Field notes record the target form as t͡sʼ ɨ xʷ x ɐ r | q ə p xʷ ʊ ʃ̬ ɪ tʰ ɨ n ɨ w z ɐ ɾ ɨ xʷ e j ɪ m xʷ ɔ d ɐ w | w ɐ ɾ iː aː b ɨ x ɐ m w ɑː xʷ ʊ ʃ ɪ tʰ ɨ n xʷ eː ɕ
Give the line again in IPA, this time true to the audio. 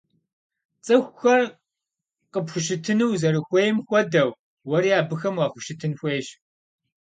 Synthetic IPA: t͡sʼ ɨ xʷ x ɐ r | q ə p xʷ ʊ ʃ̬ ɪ tʰ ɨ n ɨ w z ɐ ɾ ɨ xʷ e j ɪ m xʷ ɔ d ɐ w | w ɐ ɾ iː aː b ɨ x ɐ m w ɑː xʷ ʊ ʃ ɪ tʰ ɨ n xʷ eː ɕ